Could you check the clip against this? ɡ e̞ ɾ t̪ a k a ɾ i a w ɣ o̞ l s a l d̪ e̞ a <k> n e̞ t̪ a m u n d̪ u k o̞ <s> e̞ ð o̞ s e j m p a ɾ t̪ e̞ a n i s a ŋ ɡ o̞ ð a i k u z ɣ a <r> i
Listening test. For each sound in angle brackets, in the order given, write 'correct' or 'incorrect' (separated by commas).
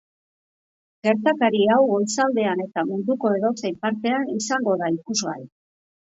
incorrect, incorrect, incorrect